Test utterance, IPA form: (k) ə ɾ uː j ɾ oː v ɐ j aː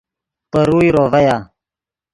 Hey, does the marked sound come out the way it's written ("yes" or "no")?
no